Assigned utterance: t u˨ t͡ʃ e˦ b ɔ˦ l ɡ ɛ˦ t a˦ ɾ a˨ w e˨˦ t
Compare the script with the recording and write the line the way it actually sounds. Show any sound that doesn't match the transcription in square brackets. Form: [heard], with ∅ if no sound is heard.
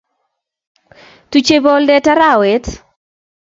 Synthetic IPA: t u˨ t͡ʃ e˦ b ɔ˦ l [d] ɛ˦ t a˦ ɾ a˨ w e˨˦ t